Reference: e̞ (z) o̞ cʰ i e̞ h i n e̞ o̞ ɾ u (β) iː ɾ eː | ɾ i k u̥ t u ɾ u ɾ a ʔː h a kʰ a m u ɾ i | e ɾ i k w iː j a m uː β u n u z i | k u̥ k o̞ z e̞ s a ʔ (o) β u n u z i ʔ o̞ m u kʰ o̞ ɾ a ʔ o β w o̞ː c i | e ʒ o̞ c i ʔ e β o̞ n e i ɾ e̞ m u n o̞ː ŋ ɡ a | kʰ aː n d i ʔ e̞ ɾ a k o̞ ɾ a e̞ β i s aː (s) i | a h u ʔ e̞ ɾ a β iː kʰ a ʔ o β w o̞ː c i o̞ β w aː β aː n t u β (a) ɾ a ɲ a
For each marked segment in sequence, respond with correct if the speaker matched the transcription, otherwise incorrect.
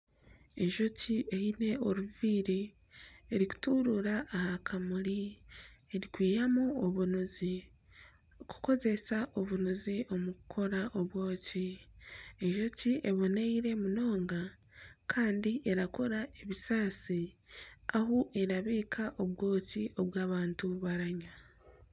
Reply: incorrect: ʒ, incorrect: v, correct, correct, correct

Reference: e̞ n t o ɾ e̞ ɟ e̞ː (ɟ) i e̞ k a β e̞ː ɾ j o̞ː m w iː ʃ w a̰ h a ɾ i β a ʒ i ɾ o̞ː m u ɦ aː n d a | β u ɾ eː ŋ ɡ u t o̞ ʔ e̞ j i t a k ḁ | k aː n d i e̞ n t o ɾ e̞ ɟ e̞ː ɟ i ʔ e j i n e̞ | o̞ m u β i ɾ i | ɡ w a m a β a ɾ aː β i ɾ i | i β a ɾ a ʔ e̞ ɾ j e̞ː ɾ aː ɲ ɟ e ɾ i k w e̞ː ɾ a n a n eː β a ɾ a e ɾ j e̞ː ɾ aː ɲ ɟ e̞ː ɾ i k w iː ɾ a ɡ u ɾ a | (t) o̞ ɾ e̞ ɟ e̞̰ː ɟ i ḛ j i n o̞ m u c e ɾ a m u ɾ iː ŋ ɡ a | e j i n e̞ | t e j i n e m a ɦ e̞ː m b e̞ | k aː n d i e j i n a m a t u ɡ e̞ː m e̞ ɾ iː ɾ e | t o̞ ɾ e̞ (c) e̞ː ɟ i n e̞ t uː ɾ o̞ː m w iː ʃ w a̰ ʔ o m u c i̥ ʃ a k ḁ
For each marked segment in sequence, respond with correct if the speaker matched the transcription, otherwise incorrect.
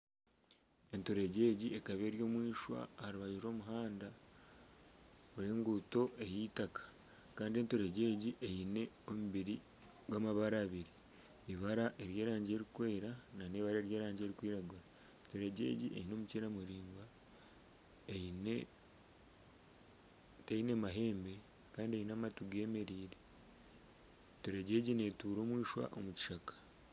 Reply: correct, correct, incorrect: ɟ

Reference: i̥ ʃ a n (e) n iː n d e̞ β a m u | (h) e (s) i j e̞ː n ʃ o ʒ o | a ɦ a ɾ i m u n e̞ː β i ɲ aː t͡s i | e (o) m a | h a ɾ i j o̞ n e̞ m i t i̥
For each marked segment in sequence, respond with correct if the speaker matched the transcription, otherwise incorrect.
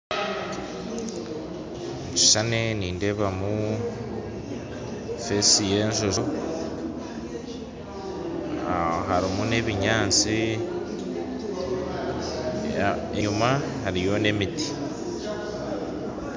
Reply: correct, incorrect: f, correct, incorrect: u

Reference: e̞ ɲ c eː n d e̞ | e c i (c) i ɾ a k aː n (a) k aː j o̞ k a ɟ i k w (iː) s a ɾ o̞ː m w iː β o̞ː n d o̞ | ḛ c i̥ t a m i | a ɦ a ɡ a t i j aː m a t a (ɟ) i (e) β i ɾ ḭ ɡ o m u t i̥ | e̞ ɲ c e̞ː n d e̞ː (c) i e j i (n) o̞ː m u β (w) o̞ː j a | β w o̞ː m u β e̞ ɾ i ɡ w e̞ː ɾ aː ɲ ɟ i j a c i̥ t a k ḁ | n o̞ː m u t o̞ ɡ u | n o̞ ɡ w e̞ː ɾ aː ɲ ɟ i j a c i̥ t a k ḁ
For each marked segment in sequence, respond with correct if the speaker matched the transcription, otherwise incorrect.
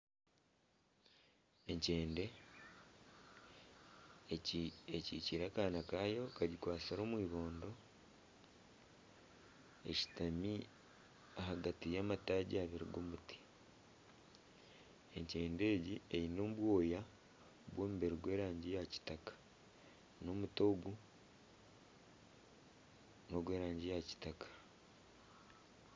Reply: correct, correct, incorrect: aː, correct, incorrect: a, incorrect: ɟ, correct, correct

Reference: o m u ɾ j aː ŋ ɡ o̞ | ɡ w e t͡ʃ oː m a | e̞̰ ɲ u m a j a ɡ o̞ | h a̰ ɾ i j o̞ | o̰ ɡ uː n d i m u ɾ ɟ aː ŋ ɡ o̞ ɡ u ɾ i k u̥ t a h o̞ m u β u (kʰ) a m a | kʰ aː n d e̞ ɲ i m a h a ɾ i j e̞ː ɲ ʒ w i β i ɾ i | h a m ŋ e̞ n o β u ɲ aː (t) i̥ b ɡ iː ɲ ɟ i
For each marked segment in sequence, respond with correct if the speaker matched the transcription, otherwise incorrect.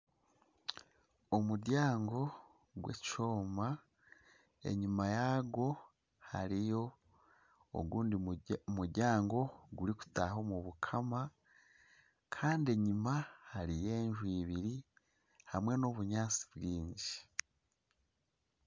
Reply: correct, incorrect: t͡s

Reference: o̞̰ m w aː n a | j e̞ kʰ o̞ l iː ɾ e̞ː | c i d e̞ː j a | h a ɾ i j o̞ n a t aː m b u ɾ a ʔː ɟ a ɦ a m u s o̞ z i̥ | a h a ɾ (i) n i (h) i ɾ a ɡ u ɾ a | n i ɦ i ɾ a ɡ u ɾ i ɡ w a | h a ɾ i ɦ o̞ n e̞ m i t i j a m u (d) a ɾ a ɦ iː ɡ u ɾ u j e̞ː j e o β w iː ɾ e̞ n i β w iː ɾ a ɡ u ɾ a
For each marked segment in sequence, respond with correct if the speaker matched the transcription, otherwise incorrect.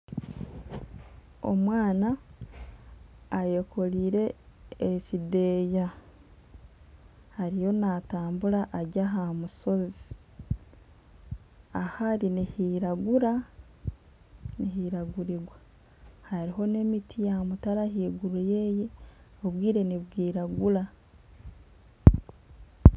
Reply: correct, correct, incorrect: t

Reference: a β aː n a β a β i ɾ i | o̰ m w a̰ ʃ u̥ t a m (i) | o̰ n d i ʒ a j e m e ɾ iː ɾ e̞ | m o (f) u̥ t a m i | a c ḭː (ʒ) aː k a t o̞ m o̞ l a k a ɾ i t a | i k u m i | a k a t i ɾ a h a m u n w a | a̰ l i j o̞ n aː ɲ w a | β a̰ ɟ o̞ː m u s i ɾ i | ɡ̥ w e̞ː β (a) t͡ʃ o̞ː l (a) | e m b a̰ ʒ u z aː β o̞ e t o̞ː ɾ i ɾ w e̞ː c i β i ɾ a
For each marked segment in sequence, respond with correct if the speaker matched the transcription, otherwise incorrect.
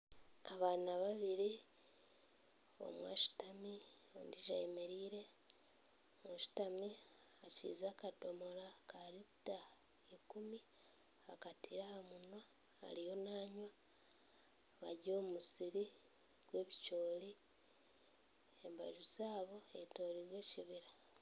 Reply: correct, incorrect: ʃ, incorrect: z, incorrect: i, incorrect: i

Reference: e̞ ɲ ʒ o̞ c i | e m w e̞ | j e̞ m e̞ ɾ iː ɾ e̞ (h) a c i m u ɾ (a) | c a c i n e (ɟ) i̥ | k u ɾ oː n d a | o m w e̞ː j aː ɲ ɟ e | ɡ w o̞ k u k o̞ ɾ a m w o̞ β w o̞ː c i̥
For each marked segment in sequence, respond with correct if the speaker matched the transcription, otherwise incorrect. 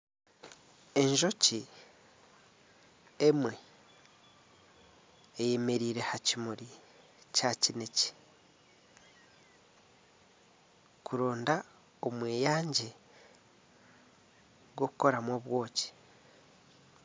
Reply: correct, incorrect: i, incorrect: c

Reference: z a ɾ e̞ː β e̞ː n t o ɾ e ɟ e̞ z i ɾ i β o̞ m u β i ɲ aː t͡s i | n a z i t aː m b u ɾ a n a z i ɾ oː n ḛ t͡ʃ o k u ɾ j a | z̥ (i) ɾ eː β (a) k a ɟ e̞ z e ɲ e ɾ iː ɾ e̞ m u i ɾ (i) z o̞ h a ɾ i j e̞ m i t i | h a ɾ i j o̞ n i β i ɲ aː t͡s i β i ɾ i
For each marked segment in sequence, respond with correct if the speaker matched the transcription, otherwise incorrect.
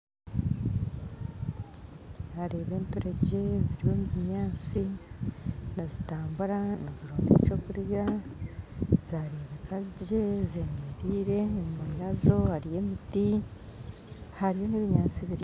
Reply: incorrect: a, incorrect: e, incorrect: a

